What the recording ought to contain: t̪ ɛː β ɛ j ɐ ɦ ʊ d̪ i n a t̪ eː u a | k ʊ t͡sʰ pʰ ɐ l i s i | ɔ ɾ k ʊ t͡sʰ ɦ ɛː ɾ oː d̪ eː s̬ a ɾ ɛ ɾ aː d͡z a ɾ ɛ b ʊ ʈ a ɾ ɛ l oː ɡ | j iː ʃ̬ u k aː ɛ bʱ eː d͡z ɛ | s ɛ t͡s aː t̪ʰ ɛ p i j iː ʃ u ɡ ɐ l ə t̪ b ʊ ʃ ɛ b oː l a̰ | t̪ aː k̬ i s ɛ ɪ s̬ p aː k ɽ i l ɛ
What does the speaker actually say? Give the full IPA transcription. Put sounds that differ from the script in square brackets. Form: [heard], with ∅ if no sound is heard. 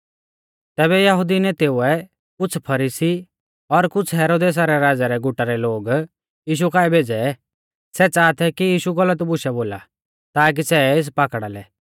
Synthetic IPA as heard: t̪ ɛː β ɛ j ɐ ɦ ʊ d̪ i n [ɛ] t̪ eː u [ɛ] | k ʊ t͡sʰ pʰ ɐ [ɾ] i s i | ɔ ɾ k ʊ t͡sʰ ɦ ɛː ɾ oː d̪ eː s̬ a ɾ ɛ ɾ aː d͡z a ɾ ɛ [ɡ] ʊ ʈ a ɾ ɛ l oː ɡ | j iː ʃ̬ u k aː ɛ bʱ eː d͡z ɛ | s ɛ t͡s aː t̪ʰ ɛ [k] i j iː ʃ u ɡ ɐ l ə t̪ b ʊ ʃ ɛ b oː l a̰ | t̪ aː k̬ i s ɛ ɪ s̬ p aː k ɽ [a] l ɛ

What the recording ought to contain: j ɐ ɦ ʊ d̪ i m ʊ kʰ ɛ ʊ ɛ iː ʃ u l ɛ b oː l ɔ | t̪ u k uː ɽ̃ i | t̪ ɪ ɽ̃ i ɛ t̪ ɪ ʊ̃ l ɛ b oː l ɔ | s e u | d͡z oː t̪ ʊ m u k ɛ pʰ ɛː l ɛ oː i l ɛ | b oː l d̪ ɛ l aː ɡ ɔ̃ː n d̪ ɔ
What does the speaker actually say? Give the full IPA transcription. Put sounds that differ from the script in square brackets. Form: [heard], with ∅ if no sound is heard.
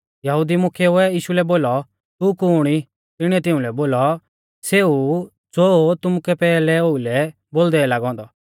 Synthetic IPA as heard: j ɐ ɦ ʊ d̪ i m ʊ kʰ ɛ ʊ ɛ iː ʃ u l ɛ b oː l ɔ | t̪ u k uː ɽ̃ i | t̪ ɪ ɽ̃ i ɛ t̪ ɪ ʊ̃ l ɛ b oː l ɔ | s e u | d͡z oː t̪ ʊ m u k ɛ [p] ɛː l ɛ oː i l ɛ | b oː l d̪ ɛ l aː ɡ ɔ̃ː n d̪ ɔ

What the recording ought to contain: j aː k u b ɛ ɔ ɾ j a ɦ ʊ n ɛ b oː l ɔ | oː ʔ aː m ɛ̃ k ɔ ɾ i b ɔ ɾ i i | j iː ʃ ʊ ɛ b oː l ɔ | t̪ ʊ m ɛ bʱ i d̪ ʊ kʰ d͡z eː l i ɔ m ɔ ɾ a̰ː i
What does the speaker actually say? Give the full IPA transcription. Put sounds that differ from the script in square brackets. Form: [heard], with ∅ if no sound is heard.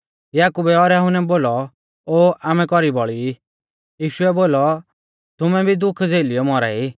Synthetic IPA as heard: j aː k u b ɛ ɔ ɾ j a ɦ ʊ n ɛ b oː l ɔ | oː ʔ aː m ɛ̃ k ɔ ɾ i b ɔ [ɭ] i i | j iː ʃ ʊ ɛ b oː l ɔ | t̪ ʊ m ɛ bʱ i d̪ ʊ kʰ d͡z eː l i ɔ m ɔ ɾ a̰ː i

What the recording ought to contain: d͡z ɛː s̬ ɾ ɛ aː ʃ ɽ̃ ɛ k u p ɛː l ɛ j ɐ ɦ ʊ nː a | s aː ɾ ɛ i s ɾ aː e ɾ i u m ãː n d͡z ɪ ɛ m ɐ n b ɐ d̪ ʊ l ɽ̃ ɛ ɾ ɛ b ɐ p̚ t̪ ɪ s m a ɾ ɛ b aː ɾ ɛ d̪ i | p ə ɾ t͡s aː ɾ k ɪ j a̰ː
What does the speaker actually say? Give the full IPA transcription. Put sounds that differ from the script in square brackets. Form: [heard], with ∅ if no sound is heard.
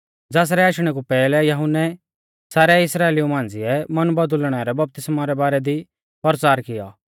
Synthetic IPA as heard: d͡z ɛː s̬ ɾ ɛ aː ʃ ɽ̃ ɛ k u p ɛː l ɛ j ɐ ɦ ʊ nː [ɛ] | s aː ɾ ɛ [ɪ] s ɾ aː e [l] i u m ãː n d͡z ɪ ɛ m ɐ n b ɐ d̪ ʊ l ɽ̃ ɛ ɾ ɛ b ɐ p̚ t̪ ɪ s m a ɾ ɛ b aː ɾ ɛ d̪ i | p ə ɾ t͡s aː ɾ k ɪ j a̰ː

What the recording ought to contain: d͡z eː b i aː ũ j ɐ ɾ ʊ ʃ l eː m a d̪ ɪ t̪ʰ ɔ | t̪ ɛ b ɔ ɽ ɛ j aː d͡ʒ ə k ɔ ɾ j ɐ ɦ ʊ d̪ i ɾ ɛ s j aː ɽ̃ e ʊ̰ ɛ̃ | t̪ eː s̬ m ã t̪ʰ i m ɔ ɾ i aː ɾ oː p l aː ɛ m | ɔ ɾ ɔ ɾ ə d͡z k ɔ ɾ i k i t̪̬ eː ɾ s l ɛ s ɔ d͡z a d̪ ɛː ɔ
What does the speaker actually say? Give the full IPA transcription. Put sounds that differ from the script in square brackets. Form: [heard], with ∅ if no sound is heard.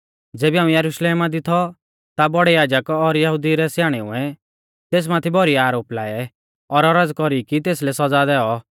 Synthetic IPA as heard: d͡z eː b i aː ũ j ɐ ɾ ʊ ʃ l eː m a d̪ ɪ t̪ʰ ɔ | t̪ [a] b ɔ ɽ ɛ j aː d͡ʒ ə k ɔ ɾ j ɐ ɦ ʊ d̪ i ɾ ɛ s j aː ɽ̃ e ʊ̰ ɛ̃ | t̪ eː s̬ m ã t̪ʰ i [b] ɔ ɾ i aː ɾ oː p l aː ɛ [∅] | ɔ ɾ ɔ ɾ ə d͡z k ɔ ɾ i k i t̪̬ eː [∅] s l ɛ s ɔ d͡z a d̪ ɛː ɔ

